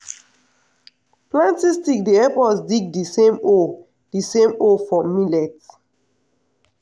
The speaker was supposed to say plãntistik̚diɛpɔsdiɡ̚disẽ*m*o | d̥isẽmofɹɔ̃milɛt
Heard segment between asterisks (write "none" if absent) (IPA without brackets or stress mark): m